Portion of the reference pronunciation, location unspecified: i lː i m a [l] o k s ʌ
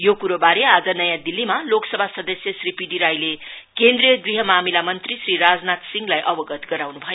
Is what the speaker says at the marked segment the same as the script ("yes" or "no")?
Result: yes